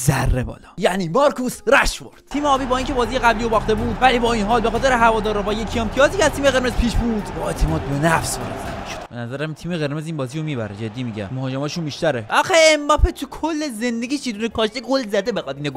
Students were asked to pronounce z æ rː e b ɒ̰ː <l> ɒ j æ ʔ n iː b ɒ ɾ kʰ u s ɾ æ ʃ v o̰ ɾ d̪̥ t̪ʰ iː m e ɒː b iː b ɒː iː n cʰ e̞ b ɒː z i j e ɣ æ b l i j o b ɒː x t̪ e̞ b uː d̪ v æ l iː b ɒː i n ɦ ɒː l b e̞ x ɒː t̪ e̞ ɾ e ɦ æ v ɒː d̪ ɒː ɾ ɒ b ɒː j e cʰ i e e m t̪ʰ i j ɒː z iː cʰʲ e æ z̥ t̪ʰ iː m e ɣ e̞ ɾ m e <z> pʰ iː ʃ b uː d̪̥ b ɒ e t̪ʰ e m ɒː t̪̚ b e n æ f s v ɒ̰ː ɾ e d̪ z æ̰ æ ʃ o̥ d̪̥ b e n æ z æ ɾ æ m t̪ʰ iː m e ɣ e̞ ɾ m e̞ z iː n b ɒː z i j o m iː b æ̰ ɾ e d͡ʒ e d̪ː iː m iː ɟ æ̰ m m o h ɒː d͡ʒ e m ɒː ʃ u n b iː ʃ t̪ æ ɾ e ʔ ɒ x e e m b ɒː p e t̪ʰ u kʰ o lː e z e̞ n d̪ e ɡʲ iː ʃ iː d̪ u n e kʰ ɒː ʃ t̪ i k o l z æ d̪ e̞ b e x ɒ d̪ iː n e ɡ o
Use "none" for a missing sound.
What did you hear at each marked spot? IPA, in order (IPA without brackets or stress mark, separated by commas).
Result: l, z